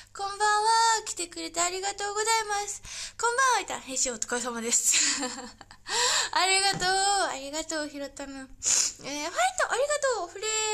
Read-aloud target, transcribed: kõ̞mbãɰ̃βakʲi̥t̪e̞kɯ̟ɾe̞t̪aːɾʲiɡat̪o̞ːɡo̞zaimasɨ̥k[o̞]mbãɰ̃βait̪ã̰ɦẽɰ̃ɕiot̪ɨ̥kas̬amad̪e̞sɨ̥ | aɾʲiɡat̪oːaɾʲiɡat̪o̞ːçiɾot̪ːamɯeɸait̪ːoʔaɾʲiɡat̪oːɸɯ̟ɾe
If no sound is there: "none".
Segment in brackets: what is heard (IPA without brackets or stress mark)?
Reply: õ̞